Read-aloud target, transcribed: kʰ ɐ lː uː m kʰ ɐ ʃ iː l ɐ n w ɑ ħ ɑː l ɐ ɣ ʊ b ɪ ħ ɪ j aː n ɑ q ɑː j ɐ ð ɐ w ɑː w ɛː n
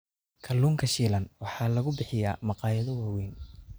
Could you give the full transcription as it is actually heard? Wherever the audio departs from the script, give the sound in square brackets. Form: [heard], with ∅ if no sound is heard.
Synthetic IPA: kʰ ɐ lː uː [ŋ] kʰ ɐ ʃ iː l ɐ n w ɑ ħ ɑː l ɐ ɣ ʊ b ɪ ħ ɪ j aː [m] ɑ q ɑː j ɐ ð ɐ w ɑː w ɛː n